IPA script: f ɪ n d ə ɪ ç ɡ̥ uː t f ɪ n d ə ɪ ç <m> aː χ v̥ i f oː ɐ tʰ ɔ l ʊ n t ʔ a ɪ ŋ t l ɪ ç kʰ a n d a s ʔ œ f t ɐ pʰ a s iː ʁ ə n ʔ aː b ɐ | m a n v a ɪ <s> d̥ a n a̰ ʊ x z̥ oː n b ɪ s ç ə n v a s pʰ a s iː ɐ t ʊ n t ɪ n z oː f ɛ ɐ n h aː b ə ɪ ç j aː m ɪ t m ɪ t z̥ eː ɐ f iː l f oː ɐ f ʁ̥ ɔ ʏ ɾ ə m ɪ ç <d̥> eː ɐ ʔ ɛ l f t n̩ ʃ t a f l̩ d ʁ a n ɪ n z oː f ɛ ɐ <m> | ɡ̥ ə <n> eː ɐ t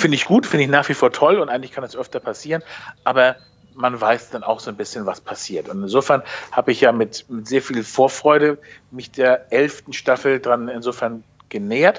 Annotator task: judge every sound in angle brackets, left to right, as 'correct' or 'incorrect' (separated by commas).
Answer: incorrect, correct, correct, incorrect, correct